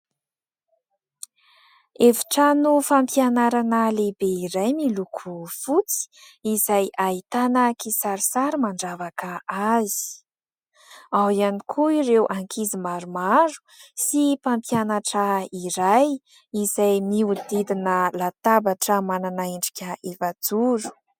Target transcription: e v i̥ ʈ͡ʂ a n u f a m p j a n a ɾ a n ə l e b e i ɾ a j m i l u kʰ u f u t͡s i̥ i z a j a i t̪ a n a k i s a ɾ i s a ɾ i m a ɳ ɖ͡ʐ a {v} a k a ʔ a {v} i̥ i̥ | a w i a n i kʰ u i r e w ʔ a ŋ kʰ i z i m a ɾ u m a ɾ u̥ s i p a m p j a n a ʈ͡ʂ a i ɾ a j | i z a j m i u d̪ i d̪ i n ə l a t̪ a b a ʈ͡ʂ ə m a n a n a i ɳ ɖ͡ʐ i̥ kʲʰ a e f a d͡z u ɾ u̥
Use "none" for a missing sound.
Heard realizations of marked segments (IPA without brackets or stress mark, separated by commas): v, z